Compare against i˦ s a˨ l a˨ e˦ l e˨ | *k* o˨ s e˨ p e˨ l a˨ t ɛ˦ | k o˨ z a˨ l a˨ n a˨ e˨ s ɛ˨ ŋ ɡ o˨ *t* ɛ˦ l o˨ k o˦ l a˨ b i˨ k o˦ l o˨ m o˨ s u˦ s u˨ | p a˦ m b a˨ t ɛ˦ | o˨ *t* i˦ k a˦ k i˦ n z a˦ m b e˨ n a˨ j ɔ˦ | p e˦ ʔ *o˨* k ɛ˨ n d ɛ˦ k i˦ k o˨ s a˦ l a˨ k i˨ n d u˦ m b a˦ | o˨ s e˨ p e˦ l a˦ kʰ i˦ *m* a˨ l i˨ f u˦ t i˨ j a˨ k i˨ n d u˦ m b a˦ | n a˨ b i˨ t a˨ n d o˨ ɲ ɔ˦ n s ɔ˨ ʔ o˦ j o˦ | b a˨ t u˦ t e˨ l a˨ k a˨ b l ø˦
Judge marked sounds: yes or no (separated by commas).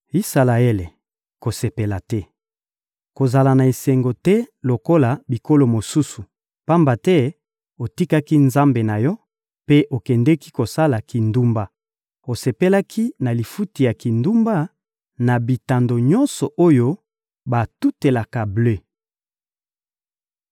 yes, yes, yes, yes, no